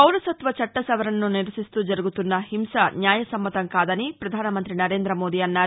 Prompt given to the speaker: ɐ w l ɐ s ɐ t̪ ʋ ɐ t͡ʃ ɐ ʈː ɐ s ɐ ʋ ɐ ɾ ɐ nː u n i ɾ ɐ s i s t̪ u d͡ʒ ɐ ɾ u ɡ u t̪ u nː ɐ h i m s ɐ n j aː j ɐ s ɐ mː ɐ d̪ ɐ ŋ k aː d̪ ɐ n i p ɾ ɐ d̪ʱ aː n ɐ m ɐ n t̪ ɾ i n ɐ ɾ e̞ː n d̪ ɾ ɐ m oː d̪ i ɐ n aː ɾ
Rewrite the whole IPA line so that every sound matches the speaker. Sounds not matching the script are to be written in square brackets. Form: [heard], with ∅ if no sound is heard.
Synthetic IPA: ɐ w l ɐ s ɐ t̪ ʋ ɐ t͡ʃ ɐ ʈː ɐ s ɐ ʋ ɐ ɾ ɐ nː u n i ɾ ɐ s i s t̪ u d͡ʒ ɐ ɾ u ɡ u t̪ u nː ɐ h i m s ɐ n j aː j ɐ s ɐ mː ɐ [t̪] ɐ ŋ k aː d̪ ɐ n i p ɾ ɐ d̪ʱ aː n ɐ m ɐ n t̪ ɾ i n ɐ ɾ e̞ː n d̪ ɾ ɐ m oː d̪ i ɐ [nː] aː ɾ